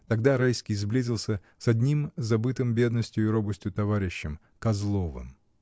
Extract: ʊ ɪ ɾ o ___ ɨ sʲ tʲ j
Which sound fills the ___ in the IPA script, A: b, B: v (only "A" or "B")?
A